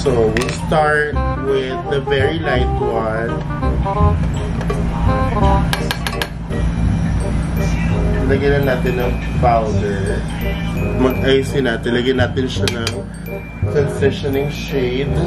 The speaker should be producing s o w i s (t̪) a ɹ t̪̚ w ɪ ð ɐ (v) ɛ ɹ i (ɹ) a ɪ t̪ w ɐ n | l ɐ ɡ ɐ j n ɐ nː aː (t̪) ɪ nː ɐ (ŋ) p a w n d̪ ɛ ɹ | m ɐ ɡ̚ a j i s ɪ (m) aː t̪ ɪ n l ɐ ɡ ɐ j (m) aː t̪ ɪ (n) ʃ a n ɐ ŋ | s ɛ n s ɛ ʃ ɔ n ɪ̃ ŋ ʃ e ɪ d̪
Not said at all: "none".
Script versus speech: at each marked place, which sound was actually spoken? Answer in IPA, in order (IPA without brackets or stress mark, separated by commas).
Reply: t̪, v, l, t̪, ŋ, n, n, n